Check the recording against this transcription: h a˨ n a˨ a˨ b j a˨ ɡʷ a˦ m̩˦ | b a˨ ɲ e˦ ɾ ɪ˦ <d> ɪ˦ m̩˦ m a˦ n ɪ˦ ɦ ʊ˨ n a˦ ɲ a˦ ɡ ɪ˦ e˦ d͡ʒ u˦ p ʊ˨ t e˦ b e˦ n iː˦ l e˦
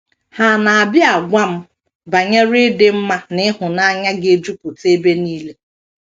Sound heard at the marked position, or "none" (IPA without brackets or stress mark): d